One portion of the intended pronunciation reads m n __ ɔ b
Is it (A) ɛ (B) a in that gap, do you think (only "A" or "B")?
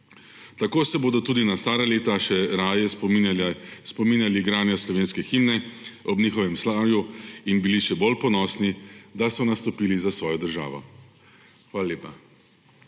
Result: A